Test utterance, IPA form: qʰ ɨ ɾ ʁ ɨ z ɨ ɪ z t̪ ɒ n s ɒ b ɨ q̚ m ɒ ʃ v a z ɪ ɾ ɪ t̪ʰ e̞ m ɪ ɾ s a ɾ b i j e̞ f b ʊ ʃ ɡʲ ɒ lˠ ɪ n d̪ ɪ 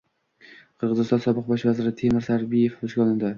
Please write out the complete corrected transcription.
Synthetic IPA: qʰ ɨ ɾ ʁ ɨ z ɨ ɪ s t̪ ɒ n s ɒ b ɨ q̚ b ɒ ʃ v a z ɪ ɾ ɪ t̪ʰ e̞ m ɪ ɾ s a ɾ b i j e̞ f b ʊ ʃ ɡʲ ɒ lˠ ɪ n d̪ ɪ